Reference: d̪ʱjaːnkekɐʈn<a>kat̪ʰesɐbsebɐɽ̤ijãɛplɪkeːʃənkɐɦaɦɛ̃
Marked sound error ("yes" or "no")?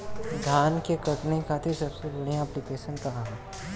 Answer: yes